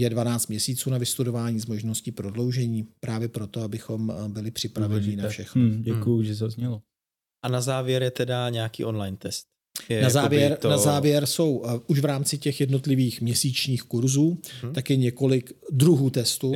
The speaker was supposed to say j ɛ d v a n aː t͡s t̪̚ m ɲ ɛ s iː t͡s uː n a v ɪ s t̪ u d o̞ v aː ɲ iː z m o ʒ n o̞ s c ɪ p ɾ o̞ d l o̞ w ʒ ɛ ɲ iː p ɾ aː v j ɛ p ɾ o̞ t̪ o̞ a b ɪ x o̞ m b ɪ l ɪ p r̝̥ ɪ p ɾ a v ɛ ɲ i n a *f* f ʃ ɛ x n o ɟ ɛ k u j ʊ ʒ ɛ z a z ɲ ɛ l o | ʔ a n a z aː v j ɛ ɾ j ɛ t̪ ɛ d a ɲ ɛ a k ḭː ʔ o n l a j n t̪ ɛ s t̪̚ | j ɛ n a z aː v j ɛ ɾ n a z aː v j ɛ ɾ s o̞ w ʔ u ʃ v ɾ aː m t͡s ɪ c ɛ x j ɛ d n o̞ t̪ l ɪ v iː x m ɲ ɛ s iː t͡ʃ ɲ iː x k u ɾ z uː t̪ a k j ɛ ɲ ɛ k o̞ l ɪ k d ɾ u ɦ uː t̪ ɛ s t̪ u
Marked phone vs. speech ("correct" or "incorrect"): correct